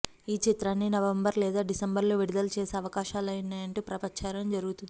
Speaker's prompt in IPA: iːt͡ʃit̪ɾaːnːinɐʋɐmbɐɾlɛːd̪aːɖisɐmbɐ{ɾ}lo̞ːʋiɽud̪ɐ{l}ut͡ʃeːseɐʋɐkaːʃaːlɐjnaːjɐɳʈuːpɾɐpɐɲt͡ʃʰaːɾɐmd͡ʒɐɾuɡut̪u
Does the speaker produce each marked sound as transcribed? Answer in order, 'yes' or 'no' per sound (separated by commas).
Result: yes, yes